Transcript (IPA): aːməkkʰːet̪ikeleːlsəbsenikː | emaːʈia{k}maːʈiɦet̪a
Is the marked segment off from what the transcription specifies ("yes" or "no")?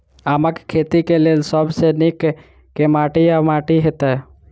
yes